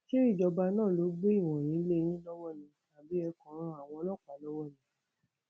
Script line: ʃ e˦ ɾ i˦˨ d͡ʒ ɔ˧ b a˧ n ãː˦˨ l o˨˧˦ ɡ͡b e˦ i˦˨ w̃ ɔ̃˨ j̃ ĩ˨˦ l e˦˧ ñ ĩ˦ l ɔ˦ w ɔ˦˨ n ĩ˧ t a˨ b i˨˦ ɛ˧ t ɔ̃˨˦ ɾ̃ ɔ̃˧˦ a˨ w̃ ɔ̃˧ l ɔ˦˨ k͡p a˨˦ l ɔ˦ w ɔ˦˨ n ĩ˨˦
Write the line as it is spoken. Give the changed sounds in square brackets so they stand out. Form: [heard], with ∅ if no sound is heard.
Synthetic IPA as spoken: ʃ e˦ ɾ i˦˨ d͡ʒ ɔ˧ b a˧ n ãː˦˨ l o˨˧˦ ɡ͡b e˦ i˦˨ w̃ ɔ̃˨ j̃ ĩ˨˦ l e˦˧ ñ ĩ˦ l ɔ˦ w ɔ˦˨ n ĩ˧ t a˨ b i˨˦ ɛ˧ [k] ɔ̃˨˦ ɾ̃ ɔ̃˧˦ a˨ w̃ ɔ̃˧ l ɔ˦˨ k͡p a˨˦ l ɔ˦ w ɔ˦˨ n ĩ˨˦